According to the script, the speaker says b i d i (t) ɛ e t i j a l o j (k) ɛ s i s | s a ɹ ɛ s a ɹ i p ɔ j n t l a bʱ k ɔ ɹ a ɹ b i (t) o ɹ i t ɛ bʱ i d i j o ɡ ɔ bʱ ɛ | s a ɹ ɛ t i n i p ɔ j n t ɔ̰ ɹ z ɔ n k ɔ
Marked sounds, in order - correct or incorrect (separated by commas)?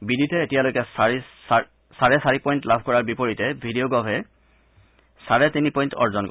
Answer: correct, correct, incorrect